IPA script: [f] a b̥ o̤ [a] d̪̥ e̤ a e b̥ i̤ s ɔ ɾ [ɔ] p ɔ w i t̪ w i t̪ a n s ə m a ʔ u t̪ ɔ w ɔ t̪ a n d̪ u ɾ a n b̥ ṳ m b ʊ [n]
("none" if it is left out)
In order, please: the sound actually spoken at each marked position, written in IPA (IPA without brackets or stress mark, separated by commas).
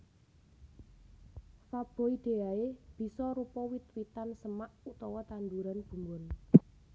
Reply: f, i, u, n